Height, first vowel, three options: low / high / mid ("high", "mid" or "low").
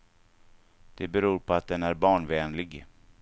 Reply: mid